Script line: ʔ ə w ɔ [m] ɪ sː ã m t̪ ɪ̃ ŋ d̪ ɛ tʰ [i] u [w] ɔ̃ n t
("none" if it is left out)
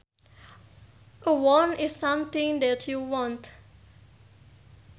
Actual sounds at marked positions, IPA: n, j, w

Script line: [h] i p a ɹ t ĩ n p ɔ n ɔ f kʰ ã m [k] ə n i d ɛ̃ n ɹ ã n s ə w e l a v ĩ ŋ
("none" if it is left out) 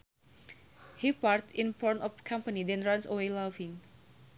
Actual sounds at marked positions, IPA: h, p

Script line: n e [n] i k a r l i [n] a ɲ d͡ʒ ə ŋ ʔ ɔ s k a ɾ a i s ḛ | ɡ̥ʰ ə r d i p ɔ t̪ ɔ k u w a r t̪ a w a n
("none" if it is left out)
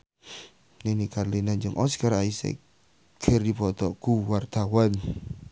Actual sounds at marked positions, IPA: n, n

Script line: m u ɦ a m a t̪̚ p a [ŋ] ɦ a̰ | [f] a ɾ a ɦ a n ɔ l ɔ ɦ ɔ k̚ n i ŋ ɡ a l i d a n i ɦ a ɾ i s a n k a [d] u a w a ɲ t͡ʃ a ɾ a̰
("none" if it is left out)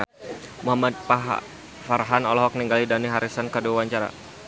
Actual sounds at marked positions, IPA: none, f, d

